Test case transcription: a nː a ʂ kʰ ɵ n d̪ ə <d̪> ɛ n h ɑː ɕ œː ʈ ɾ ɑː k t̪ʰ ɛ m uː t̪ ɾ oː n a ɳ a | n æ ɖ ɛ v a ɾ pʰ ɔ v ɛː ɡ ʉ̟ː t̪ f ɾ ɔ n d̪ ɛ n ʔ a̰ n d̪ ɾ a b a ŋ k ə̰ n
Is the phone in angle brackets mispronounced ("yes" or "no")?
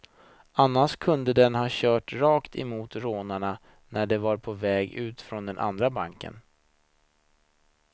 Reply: no